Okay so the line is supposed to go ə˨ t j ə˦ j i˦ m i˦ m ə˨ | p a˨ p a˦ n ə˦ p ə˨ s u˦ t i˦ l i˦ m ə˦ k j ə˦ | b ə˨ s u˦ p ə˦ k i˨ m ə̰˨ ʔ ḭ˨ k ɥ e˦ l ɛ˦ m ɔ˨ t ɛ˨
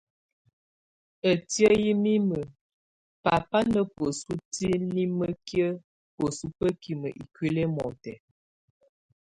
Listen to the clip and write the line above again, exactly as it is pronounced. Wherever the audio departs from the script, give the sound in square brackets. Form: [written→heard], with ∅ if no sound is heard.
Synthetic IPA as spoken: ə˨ t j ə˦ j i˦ m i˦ m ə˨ | p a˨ p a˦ n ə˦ p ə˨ s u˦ t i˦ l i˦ m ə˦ k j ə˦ | [b→p] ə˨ s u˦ p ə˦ k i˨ m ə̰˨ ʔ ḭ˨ k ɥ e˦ l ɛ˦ m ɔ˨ t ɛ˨